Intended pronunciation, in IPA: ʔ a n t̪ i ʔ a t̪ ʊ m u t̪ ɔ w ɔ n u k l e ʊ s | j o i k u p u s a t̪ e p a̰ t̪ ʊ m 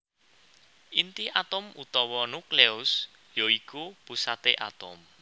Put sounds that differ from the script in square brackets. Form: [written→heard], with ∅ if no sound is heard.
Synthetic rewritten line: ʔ [a→i] n t̪ i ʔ a t̪ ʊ m u t̪ ɔ w ɔ n u k l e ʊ s | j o i k u p u s a t̪ e [p→ʔ] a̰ t̪ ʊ m

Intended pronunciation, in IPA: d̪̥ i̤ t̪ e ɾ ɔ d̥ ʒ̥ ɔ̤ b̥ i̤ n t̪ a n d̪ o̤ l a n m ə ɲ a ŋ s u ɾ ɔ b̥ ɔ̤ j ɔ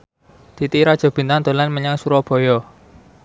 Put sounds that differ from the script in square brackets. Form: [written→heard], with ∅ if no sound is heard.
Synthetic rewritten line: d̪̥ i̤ t̪ [e→i] ɾ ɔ d̥ ʒ̥ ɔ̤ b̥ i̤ n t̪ a n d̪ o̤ l a n m ə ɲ a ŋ s u ɾ ɔ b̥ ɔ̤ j ɔ

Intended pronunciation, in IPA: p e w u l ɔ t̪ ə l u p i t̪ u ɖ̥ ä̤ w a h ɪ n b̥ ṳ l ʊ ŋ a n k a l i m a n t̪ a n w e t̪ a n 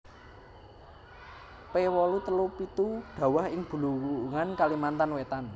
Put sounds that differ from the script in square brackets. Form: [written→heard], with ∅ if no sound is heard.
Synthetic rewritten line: p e w [u→ɔ] l [ɔ→u] t̪ ə l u p i t̪ u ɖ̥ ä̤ w a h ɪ [n→ŋ] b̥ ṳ l [ʊ→u] ŋ a n k a l i m a n t̪ a n w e t̪ a n

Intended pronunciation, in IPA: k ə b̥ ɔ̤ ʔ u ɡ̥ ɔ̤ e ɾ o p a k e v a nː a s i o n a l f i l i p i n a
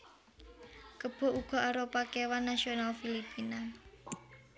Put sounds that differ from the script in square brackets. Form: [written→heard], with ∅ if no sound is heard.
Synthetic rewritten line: k ə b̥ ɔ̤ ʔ u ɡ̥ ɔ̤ [e→a] ɾ o p a k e [v→w] a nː a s i o n a l f i l i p i n a

